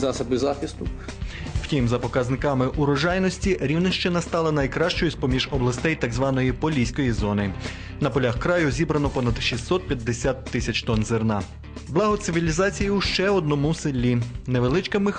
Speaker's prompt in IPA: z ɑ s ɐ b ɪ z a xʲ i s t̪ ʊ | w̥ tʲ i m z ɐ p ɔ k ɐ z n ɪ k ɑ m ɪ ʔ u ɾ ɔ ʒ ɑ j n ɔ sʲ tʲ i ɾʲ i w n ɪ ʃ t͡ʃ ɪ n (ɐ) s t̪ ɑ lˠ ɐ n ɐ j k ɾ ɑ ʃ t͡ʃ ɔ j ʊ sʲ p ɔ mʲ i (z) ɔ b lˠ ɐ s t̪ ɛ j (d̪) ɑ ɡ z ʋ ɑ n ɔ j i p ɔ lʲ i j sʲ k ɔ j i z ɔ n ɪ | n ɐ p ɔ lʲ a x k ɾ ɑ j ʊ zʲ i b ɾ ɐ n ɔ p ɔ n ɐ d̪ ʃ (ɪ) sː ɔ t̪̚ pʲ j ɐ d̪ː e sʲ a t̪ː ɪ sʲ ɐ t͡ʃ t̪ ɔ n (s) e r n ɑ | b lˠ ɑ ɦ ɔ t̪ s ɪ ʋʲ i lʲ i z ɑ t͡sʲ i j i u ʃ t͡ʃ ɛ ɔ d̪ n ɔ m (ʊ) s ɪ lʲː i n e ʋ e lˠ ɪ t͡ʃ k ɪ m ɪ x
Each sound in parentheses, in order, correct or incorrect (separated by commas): correct, incorrect, incorrect, incorrect, incorrect, incorrect